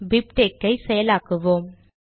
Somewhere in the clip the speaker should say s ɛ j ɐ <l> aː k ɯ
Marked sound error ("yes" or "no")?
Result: no